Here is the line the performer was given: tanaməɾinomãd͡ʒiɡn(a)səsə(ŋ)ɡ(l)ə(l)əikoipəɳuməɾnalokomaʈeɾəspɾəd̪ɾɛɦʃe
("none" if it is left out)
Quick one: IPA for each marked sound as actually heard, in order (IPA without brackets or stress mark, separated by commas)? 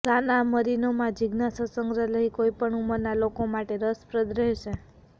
a, ŋ, ɾ, l